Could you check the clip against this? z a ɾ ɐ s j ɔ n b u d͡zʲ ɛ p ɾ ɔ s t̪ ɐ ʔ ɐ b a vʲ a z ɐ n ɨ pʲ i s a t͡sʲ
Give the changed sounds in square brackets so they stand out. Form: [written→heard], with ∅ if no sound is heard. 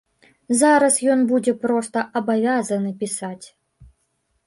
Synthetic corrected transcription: z a ɾ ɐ s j ɔ n b u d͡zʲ ɛ p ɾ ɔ s t̪ ɐ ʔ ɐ b a vʲ a z ɐ n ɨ pʲ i s a t͡sʲ